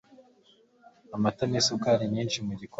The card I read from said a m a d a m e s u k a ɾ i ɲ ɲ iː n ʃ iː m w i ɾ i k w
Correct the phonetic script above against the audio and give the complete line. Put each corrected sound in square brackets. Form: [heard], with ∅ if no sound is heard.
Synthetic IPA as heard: a m a [t] a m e s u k a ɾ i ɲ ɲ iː n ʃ [i] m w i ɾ i k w